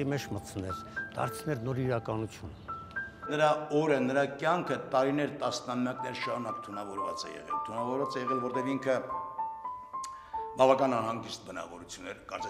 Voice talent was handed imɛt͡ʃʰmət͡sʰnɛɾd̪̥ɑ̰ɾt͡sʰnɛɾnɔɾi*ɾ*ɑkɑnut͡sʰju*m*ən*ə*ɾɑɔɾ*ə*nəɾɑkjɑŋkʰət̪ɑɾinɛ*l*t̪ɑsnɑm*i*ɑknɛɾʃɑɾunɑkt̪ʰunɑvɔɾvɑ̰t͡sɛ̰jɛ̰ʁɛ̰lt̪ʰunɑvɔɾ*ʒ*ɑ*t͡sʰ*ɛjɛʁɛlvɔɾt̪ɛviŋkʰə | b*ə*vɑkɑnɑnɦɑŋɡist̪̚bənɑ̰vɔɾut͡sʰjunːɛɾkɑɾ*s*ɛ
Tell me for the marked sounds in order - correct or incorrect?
correct, incorrect: n, correct, correct, incorrect: ɾ, incorrect: j, incorrect: v, incorrect: t͡s, incorrect: ɑ, incorrect: t͡s

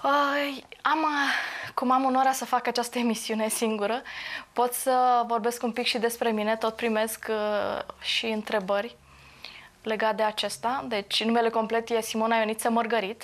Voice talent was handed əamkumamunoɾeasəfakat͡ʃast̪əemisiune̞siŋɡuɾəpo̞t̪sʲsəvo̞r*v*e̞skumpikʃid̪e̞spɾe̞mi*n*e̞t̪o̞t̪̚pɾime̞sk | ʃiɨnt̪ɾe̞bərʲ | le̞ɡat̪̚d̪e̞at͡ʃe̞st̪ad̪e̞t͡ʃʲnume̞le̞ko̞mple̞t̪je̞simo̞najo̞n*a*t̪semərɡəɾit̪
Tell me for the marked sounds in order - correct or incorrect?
incorrect: b, correct, incorrect: i

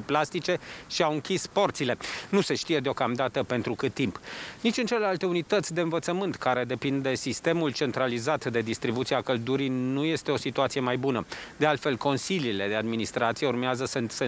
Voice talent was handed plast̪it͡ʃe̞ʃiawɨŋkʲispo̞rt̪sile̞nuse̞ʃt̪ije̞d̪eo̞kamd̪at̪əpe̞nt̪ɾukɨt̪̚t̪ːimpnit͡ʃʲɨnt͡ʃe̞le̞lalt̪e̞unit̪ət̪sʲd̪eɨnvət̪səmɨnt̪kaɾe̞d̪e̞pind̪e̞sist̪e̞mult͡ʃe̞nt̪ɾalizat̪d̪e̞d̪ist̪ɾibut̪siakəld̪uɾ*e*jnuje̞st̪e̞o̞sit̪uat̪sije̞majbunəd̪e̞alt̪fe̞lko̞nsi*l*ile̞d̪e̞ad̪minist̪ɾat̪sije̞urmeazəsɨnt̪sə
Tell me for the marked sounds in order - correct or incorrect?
incorrect: i, correct

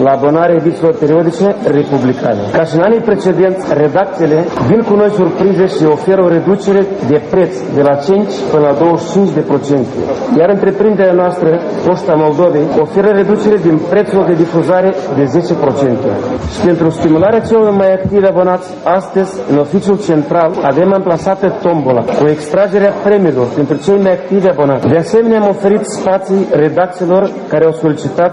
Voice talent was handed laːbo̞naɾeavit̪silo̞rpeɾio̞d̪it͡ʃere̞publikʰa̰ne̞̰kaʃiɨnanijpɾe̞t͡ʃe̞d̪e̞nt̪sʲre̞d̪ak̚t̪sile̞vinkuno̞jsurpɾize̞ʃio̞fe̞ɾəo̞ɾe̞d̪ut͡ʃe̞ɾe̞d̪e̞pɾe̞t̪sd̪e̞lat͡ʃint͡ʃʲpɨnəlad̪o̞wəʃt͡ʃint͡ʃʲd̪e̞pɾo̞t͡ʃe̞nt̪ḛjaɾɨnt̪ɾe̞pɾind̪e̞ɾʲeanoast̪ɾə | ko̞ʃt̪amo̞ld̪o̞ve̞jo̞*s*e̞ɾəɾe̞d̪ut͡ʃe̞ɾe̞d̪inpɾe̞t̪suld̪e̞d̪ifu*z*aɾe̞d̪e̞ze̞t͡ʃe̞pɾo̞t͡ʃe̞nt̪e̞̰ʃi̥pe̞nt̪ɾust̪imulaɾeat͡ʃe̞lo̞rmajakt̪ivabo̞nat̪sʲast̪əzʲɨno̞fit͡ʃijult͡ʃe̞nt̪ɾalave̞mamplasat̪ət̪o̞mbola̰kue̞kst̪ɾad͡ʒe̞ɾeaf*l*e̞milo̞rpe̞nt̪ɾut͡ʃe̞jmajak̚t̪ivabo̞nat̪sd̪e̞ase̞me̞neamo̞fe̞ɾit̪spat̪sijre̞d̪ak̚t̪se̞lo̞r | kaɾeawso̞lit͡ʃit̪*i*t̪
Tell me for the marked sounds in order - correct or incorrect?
incorrect: f, correct, incorrect: ɾ, incorrect: a

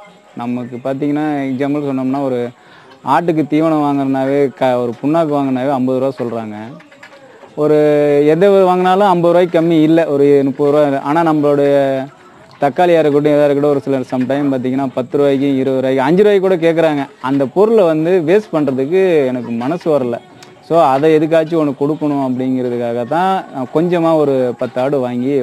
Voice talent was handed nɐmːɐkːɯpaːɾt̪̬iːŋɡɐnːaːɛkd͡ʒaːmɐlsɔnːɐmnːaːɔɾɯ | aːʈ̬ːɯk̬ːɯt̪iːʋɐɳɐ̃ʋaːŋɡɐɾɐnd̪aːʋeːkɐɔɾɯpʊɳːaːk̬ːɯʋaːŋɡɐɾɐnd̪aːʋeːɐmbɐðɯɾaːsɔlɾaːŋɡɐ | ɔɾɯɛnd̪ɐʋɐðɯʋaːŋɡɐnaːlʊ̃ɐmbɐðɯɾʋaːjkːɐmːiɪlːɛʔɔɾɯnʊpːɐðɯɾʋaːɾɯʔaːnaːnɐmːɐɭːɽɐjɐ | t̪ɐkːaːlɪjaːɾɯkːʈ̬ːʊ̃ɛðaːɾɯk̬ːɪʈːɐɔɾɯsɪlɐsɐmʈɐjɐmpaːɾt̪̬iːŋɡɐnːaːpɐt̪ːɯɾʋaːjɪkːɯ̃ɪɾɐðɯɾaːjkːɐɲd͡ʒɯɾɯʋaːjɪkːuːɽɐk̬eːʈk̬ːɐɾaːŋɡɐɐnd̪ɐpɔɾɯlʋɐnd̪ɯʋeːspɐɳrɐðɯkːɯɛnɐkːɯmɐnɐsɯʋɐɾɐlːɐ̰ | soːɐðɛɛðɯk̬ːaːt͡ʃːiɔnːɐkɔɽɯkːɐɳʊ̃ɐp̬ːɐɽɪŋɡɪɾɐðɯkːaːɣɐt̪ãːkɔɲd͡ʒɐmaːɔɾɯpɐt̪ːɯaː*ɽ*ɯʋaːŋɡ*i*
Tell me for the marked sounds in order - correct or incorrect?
correct, correct

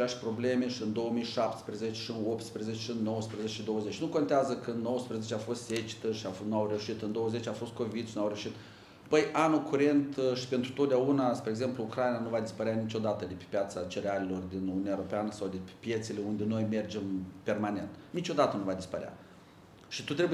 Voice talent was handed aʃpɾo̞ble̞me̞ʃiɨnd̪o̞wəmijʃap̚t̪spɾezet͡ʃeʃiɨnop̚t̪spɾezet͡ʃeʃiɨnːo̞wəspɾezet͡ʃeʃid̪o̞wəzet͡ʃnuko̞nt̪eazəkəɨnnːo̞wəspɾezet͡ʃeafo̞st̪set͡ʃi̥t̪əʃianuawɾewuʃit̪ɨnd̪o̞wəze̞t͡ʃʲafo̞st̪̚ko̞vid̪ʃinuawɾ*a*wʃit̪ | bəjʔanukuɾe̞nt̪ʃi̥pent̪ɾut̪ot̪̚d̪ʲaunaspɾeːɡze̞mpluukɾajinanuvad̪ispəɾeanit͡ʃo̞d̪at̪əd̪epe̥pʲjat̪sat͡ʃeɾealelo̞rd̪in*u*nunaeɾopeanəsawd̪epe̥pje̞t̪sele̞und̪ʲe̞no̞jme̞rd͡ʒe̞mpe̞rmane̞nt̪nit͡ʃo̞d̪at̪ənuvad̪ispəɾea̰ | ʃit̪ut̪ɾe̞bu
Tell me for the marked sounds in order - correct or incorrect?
incorrect: e, correct

